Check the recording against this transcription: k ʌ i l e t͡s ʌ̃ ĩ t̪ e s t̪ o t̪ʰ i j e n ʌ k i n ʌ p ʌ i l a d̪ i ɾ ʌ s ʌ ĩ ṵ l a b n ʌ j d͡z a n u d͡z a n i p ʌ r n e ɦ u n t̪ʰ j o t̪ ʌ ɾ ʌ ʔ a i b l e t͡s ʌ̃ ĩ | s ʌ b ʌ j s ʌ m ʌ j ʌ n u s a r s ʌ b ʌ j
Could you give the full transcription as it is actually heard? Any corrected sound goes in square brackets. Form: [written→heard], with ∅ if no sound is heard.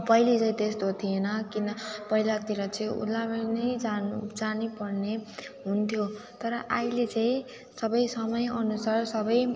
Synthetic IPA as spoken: [k→p] ʌ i l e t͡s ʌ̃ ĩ t̪ e s t̪ o t̪ʰ i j e n ʌ k i n ʌ p ʌ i l a [d̪→t̪] i ɾ ʌ [s→t͡s] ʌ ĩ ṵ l a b n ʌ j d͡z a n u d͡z a n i p ʌ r n e ɦ u n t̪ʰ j o t̪ ʌ ɾ ʌ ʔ a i [b→∅] l e t͡s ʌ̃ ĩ | s ʌ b ʌ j s ʌ m ʌ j ʌ n u s a r s ʌ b ʌ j